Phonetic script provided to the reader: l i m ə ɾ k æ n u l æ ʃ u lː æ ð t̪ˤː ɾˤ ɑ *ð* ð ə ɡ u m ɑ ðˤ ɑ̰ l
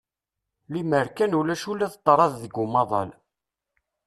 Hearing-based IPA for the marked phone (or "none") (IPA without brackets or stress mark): ð